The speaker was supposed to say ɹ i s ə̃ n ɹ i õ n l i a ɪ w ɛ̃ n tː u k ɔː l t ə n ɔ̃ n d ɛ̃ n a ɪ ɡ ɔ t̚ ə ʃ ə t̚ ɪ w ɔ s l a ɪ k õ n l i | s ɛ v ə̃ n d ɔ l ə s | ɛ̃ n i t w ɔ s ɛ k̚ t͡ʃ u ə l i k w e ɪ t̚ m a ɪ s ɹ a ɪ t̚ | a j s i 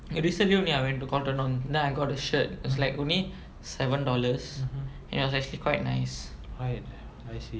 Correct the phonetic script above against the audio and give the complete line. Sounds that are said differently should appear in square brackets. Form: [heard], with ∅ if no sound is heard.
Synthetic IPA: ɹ i s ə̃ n [l] i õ n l i a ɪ w ɛ̃ n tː u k [ɔ] l t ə n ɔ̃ n d ɛ̃ n a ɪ ɡ ɔ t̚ ə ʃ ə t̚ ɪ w ɔ s l a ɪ k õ n l i | s ɛ v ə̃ n d ɔ l ə s | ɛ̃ n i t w ɔ s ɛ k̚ t͡ʃ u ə l i k w [a] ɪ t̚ [n] a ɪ s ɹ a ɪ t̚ | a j s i